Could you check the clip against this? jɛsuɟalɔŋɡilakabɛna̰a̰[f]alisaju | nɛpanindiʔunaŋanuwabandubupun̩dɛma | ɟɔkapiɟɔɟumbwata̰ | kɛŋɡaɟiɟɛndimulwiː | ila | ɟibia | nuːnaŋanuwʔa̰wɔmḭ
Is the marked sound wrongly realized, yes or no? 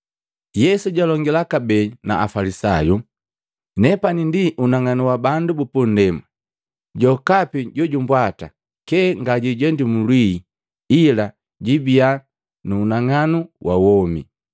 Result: no